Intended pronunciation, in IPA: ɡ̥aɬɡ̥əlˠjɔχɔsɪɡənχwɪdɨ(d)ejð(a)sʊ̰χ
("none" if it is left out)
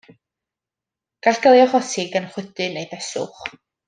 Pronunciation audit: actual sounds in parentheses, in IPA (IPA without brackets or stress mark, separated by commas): n, ɛ